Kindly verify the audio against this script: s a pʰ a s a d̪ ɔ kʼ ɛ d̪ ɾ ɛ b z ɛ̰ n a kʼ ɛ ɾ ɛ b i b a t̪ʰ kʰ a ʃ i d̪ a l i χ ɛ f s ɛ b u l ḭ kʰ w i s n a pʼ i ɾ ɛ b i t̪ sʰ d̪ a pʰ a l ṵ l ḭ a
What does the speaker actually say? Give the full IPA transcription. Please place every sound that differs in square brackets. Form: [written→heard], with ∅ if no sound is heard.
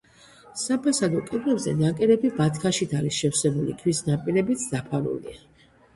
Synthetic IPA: s a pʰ a s a d̪ ɔ kʼ ɛ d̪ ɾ ɛ b z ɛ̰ n a kʼ ɛ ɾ ɛ b i b a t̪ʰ kʰ a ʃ i d̪ a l i [χ→ʃ] ɛ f s ɛ b u l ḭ kʰ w i s n a pʼ i ɾ ɛ b i t̪ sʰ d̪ a pʰ a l ṵ l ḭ a